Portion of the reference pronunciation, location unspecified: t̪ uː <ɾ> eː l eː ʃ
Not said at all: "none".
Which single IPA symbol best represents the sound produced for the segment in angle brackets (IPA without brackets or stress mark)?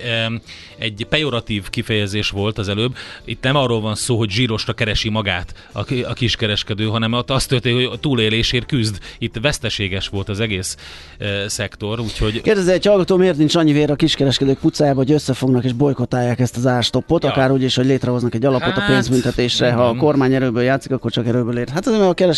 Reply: l